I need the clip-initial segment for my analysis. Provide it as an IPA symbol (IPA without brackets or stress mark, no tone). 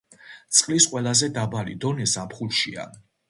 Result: t̪